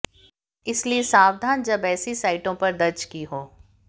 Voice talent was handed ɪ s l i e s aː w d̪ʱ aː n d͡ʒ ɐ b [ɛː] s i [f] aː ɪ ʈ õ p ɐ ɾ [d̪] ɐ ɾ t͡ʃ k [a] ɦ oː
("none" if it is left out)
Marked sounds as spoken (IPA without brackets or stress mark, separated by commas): ɛː, s, d̪, i